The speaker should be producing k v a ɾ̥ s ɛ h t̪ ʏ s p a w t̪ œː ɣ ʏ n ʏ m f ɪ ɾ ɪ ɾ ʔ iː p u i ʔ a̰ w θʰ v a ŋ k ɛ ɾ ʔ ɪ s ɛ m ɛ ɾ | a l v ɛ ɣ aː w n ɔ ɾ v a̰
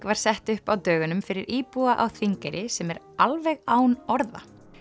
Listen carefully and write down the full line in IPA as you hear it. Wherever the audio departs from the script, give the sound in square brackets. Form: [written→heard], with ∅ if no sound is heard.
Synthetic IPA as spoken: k v a ɾ̥ s ɛ h t̪ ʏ [s→h] p a w t̪ œː ɣ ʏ n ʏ m f ɪ ɾ ɪ ɾ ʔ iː p u [i→a] ʔ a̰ w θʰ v [a→i] ŋ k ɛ ɾ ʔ ɪ s ɛ m ɛ ɾ | a l v ɛ ɣ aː w n ɔ ɾ [v→ð] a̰